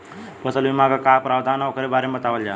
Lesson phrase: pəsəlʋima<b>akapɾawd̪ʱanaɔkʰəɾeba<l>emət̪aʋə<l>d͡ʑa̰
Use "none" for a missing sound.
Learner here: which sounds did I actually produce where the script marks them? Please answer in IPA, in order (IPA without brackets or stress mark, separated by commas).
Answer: ɡ, ɾ, l